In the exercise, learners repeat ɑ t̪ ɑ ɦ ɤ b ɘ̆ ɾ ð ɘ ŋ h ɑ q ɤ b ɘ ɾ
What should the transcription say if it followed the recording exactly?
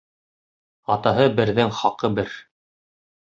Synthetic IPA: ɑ t̪ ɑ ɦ ɤ b ɘ̆ ɾ ð ɘ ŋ χ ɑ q ɤ b ɘ ɾ